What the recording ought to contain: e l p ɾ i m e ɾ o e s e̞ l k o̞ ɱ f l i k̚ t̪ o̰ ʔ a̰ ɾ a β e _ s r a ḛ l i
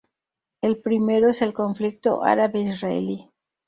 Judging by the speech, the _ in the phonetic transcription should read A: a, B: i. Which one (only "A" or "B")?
B